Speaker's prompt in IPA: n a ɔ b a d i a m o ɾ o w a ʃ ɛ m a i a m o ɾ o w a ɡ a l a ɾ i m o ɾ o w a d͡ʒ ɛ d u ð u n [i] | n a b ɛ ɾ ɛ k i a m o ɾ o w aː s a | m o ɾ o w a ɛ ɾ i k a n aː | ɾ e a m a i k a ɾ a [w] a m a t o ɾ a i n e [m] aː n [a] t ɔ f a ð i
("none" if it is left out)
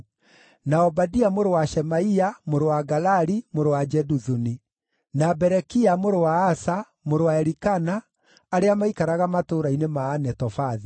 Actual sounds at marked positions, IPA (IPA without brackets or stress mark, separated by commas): i, ɣ, m, ɛ